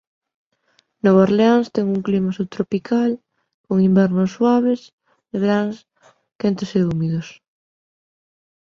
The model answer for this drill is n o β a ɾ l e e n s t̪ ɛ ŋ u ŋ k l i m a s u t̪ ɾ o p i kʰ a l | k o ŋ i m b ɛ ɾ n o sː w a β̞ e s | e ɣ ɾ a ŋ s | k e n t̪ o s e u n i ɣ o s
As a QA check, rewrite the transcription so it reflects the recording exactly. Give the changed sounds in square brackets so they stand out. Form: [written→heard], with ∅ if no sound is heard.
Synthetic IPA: n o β a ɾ l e [e→a] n s t̪ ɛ ŋ u ŋ k l i m a s u t̪ ɾ o p i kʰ a l | k o ŋ i m b ɛ ɾ n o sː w a β̞ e s | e ɣ ɾ a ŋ s | k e n t̪ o s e u [n→m] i [ɣ→ð] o s